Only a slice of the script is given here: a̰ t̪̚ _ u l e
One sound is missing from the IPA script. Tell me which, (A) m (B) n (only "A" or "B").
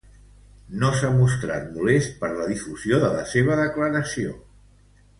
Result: A